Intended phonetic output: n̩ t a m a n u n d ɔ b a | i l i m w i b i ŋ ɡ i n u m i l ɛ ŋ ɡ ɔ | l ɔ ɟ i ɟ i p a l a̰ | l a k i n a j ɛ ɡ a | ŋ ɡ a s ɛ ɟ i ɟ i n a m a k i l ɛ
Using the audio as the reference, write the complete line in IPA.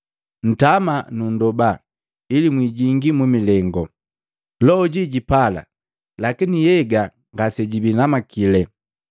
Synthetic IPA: n̩ t a m a n u n d ɔ b a | i l i m w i ɟ i ŋ ɡ i m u m i l ɛ ŋ ɡ ɔ | l ɔ ɟ i ɟ i p a l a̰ | l a k i n i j ɛ ɡ a | ŋ ɡ a s ɛ ɟ i b i n a m a k i l ɛ